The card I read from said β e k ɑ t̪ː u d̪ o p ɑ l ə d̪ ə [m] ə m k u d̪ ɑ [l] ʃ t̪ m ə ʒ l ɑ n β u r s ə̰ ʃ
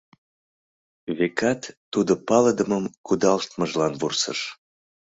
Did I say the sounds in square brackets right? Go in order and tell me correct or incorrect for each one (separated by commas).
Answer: correct, correct